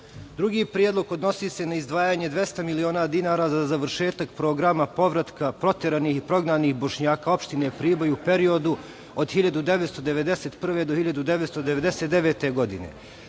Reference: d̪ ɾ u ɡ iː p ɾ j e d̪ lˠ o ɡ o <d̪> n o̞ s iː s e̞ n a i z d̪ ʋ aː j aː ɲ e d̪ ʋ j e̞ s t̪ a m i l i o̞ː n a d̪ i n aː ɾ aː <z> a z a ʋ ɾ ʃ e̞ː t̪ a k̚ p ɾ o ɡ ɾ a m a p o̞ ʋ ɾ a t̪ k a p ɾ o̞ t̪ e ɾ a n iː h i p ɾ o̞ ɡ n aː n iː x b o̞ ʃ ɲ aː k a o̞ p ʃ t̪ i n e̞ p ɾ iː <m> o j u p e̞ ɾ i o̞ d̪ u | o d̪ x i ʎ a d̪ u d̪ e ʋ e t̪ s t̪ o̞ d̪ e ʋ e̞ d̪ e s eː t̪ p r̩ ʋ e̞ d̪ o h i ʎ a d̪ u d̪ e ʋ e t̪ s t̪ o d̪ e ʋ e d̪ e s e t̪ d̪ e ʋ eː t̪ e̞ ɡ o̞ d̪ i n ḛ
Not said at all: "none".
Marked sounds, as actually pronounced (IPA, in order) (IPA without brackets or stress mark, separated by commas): d̪, z, b